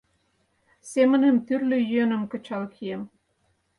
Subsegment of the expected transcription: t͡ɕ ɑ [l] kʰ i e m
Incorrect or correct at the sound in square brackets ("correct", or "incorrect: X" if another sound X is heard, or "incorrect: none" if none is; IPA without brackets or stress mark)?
correct